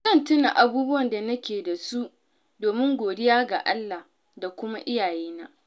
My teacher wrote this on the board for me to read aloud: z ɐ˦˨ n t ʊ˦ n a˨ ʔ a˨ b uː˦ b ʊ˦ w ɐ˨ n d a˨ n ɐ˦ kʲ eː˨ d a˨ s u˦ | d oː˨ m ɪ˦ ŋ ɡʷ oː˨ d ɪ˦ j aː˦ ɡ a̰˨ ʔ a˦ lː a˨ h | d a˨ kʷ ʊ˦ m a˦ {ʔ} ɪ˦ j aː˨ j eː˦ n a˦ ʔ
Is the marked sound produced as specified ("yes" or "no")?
yes